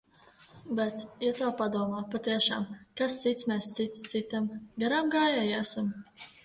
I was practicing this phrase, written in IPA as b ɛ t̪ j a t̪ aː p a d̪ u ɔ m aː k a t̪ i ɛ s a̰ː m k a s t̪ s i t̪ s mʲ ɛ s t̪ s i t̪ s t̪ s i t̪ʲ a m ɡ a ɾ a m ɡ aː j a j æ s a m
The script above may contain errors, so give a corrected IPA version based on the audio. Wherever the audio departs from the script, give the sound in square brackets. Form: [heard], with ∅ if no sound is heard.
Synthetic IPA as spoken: b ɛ t̪ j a t̪ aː p a d̪ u ɔ m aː [p] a t̪ i ɛ [ʃ] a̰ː m k a s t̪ s i t̪ s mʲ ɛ s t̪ s i t̪ s t̪ s i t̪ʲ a m ɡ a ɾ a m ɡ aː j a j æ s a m